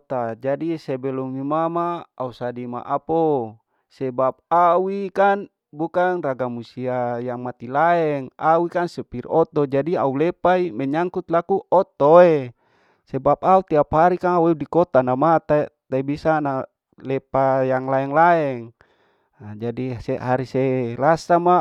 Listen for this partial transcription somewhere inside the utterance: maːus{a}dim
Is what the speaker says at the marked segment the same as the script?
yes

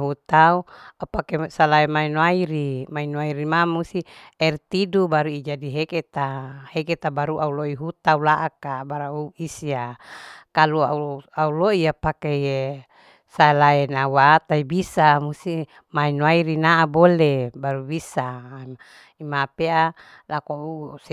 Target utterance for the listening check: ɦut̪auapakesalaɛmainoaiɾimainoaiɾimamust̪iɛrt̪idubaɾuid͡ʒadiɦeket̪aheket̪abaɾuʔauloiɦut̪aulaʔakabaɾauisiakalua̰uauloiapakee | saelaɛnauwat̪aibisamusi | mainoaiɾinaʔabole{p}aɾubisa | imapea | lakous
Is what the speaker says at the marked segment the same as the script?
no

